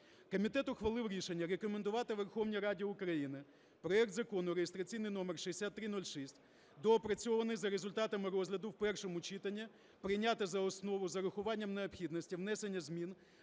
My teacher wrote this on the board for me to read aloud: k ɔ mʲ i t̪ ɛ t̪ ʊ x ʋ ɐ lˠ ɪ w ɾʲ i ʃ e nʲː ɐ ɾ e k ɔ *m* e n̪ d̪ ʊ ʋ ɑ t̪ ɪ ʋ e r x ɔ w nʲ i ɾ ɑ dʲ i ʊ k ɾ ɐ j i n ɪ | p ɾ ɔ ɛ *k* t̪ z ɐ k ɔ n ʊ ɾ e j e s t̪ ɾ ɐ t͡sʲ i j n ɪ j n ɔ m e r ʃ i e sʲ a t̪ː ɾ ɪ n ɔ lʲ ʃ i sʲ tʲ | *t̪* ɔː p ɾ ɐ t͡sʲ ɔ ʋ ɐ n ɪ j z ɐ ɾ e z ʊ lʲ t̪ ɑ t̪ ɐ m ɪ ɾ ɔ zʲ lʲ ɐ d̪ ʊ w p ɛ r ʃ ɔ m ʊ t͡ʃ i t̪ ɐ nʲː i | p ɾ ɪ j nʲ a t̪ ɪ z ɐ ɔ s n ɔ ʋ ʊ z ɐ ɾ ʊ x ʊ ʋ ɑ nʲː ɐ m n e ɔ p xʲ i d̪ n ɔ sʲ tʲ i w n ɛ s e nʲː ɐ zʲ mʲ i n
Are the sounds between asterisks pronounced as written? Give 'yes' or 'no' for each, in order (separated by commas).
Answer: yes, yes, no